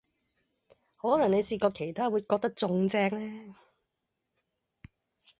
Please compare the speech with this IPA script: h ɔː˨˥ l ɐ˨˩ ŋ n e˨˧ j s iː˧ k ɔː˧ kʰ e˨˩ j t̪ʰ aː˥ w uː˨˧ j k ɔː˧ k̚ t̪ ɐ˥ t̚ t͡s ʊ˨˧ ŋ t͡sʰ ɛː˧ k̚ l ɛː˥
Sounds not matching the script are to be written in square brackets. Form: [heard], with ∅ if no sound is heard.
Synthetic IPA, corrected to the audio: h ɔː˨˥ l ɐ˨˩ ŋ n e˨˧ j s iː˧ k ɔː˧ kʰ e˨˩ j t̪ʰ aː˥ w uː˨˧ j k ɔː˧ k̚ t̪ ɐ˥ [k̚] t͡s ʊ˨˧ ŋ [t͡s] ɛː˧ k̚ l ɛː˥